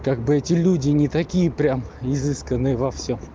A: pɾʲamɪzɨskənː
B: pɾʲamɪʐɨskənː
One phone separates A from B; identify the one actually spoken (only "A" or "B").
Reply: A